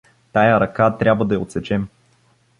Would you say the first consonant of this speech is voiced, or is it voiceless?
voiceless